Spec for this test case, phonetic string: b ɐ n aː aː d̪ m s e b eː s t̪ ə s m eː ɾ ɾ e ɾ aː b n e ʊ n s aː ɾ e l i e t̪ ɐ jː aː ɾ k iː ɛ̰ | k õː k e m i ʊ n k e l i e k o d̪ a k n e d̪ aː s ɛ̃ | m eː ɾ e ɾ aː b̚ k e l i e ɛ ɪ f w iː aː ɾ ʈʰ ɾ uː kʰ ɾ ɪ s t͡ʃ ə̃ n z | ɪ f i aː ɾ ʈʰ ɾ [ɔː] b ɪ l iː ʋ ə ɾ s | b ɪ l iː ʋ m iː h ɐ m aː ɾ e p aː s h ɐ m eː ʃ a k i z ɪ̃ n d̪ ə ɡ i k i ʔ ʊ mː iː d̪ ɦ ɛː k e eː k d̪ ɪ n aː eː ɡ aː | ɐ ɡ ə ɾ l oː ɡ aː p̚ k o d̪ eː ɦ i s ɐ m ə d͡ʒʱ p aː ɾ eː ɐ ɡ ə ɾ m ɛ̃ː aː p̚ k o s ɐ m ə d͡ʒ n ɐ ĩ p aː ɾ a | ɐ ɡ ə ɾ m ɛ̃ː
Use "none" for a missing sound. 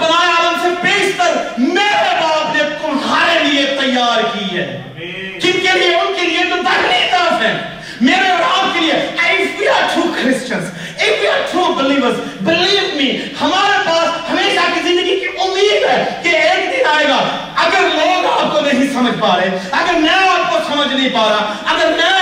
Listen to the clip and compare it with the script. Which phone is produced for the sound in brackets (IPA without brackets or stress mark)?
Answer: uː